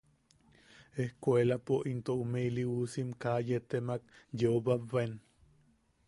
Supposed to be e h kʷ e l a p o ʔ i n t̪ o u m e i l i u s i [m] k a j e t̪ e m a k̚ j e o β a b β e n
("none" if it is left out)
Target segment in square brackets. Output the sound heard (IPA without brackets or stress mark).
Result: m